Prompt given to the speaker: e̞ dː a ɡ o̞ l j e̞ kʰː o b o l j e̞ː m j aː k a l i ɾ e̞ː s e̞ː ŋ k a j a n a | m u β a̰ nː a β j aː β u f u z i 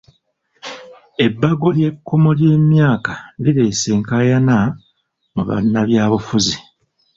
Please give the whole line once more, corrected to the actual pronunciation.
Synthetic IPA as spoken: e̞ bː a ɡ o̞ l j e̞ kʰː o m o l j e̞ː m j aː k a l i ɾ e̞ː s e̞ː ŋ k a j a n a | m u β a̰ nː a β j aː β u f u z i